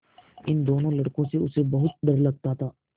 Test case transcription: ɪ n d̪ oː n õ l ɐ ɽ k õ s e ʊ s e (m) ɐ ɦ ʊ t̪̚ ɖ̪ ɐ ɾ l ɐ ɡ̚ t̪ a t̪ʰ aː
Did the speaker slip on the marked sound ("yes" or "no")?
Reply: yes